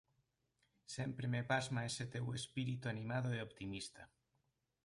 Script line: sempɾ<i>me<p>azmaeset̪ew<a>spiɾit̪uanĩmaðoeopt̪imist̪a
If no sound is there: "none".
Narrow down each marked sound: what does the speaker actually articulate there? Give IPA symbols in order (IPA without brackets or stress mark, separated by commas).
e, p, e